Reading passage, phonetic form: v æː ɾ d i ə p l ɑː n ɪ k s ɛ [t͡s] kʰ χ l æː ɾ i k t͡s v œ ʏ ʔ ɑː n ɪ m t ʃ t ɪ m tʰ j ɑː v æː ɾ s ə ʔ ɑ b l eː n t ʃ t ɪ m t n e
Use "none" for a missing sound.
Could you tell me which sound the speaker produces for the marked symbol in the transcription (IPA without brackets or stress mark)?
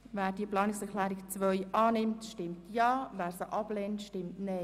none